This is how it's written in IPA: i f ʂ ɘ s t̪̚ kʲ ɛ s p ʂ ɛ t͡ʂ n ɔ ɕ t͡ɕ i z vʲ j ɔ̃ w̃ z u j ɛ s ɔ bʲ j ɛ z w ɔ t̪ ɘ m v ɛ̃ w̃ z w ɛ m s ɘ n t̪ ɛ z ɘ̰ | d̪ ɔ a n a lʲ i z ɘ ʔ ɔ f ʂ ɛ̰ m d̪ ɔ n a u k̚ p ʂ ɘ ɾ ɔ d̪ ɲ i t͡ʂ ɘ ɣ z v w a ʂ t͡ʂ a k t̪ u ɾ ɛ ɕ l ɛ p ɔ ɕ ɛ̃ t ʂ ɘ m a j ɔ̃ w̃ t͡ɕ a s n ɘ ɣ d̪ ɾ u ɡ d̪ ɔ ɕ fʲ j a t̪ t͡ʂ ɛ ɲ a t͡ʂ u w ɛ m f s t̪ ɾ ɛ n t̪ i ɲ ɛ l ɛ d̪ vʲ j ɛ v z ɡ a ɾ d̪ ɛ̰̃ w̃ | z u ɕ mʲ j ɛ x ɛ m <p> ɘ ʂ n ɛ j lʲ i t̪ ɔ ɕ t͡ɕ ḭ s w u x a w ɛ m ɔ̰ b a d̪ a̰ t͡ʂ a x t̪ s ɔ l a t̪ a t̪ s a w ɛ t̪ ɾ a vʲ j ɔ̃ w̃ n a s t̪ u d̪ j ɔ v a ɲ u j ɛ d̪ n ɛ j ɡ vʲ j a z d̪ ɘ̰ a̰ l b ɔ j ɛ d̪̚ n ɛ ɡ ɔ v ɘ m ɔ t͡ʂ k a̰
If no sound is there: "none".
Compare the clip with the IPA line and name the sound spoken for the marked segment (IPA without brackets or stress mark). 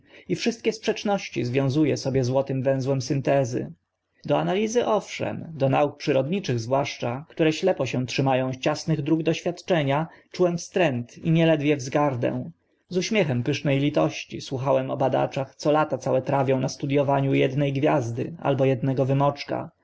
p